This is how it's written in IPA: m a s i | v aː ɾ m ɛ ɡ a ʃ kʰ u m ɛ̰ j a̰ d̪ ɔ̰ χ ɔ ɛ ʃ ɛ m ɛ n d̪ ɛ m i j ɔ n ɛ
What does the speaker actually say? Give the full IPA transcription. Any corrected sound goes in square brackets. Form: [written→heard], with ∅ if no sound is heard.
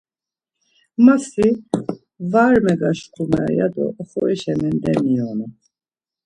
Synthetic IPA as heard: m a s i | v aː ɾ m ɛ ɡ a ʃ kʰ u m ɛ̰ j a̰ d̪ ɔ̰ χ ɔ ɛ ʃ ɛ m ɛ n d̪ ɛ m i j ɔ n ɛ